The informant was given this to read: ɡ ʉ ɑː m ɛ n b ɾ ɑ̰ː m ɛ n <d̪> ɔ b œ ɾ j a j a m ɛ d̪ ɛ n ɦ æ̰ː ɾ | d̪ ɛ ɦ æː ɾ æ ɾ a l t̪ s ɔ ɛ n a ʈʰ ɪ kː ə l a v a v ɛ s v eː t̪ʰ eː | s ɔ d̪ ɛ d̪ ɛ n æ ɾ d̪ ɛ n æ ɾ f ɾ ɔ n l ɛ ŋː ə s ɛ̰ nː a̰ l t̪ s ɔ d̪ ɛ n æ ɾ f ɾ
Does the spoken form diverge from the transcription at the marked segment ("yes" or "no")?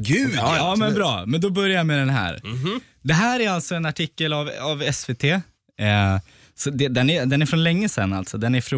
no